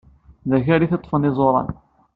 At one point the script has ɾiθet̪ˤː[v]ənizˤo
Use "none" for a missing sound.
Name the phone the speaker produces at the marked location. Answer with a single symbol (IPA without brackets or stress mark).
f